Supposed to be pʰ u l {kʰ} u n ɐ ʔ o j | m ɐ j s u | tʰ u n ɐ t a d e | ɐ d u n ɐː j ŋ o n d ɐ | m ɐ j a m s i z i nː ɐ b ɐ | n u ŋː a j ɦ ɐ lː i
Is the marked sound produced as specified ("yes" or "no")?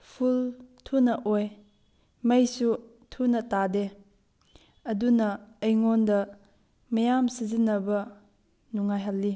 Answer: no